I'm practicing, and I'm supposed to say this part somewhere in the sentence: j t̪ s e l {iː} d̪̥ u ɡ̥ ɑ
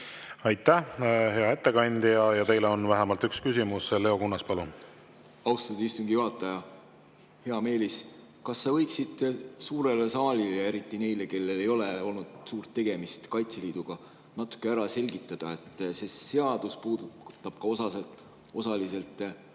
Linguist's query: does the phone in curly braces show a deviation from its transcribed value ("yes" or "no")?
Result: no